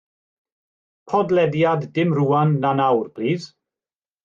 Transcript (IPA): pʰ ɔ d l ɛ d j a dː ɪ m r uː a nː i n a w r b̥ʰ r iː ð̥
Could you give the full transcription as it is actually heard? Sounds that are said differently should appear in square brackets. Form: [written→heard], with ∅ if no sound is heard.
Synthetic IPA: pʰ ɔ d l ɛ d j a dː ɪ m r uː a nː [i→a] n a w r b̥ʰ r iː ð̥

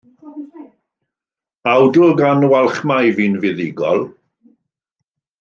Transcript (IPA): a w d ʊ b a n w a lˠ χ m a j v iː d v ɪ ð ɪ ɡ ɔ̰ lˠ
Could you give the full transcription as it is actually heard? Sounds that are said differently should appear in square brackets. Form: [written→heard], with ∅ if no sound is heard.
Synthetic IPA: a w d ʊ [b→ɡ] a n w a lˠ χ m a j v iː [d→n] v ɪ ð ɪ ɡ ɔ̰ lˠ

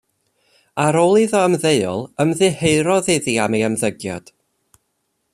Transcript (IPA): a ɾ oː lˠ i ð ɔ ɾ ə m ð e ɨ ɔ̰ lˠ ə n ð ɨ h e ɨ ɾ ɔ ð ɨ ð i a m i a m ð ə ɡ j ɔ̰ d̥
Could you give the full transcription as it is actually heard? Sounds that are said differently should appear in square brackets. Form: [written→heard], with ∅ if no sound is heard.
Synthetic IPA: a ɾ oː lˠ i ð ɔ [ɾ→∅] ə m ð e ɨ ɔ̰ lˠ ə [n→m] ð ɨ h e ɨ ɾ ɔ ð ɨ ð i a m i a m ð ə ɡ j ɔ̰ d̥

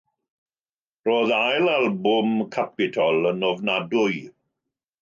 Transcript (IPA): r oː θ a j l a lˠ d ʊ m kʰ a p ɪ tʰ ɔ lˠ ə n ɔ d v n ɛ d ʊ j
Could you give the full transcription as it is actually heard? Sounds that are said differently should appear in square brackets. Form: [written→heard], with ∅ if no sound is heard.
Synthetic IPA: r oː [θ→ð] a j l a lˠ [d→b] ʊ m kʰ a p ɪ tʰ ɔ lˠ ə n ɔ [d→∅] v n [ɛ→a] d ʊ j

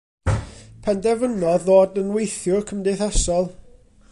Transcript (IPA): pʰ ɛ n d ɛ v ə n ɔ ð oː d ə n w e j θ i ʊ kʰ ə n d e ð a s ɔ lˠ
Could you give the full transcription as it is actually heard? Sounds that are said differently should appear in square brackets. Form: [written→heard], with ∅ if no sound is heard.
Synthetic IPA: pʰ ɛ n d ɛ v ə n ɔ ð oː d ə n w e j θ [i→j] ʊ kʰ ə [n→m] d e [ð→θ] a s ɔ lˠ

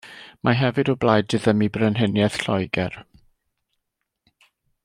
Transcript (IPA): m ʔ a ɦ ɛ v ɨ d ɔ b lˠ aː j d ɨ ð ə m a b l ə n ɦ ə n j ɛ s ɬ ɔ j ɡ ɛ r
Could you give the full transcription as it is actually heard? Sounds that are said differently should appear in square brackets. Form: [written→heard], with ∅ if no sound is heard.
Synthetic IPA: m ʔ a ɦ ɛ v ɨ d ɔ b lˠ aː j d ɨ ð ə m [a→i] b [l→r] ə n ɦ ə n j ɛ [s→θ] ɬ ɔ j ɡ ɛ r

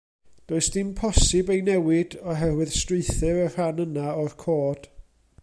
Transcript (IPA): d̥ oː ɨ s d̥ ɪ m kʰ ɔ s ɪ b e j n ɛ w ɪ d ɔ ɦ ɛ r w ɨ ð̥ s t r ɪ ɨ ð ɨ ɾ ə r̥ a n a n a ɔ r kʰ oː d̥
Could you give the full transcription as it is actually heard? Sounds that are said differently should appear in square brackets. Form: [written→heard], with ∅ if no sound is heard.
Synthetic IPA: d̥ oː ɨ s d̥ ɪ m [kʰ→pʰ] ɔ s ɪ b e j n ɛ w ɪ d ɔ ɦ ɛ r w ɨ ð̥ s t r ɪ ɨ [ð→θ] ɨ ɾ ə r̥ a n [a→ə] n a ɔ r kʰ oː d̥

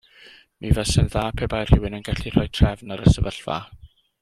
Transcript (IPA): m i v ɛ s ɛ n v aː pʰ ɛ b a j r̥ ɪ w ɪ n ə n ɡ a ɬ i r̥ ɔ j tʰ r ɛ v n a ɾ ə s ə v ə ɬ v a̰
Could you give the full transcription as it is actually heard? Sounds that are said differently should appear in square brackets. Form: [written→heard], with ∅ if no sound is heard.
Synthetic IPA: m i v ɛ s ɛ n [v→ð] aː pʰ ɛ b a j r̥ ɪ w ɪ n ə n ɡ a ɬ i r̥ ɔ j tʰ r ɛ v n a ɾ ə s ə v ə ɬ v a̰

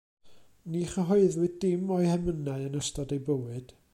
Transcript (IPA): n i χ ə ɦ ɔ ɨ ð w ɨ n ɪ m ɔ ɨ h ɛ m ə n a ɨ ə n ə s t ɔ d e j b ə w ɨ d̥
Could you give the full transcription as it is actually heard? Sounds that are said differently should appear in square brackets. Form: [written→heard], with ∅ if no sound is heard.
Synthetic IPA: n i χ ə ɦ ɔ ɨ ð w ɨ [n→d] ɪ m ɔ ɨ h ɛ m ə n a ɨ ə n ə s t ɔ d e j b ə w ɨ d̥

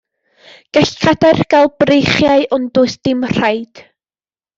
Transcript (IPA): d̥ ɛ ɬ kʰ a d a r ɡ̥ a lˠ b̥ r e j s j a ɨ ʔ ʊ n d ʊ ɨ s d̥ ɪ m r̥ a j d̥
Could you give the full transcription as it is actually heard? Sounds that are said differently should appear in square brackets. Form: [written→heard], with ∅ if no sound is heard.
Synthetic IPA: [d̥→ɡ̥] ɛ ɬ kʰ a d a r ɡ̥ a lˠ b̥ r e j [s→χ] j a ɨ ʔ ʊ n d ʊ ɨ s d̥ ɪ m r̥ a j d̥

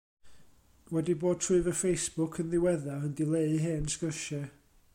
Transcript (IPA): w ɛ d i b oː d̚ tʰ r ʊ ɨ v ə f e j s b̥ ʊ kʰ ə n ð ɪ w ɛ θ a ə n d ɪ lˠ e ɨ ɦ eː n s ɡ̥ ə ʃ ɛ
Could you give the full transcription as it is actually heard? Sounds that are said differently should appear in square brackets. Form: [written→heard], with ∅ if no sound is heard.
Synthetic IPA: w ɛ d i b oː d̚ tʰ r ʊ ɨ v ə f e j s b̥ ʊ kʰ ə n ð ɪ w ɛ [θ→ð] a ə n d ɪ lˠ e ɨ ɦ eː n s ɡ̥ ə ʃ ɛ

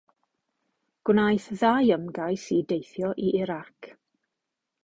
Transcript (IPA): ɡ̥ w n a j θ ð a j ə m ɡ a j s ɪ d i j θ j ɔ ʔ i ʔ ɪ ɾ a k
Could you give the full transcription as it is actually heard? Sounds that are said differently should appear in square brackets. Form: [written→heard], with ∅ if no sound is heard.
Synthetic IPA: ɡ̥ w n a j θ ð a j ə m ɡ a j s [ɪ→i] d [i→e] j θ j ɔ ʔ i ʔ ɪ ɾ a k

